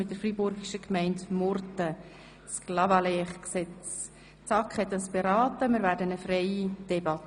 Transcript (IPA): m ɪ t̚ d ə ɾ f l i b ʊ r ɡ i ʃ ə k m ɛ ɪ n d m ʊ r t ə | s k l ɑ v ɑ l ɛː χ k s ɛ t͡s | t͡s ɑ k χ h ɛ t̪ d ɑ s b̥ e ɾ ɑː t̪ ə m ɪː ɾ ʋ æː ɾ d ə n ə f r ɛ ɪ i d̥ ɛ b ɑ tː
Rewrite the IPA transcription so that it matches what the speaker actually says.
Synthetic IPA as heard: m ɪ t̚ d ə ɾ f r i b ʊ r ɡ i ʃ ə k m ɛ ɪ n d m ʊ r t ə | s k l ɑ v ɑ l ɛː χ k s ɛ t͡s | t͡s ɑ k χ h ɛ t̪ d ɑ s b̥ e ɾ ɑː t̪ ə m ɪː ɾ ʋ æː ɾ d ə n ə f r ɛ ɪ i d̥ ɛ b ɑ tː